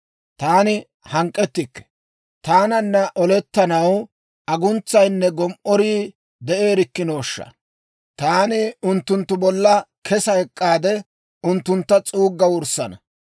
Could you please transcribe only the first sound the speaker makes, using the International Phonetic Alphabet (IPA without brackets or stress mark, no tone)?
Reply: t̪